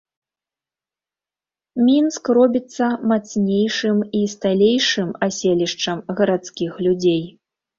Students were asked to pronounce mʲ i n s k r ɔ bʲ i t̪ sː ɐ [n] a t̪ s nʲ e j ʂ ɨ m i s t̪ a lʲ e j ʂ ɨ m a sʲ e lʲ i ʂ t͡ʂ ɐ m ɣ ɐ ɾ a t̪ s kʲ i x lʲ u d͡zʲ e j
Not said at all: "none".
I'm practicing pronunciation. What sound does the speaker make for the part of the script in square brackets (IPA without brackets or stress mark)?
m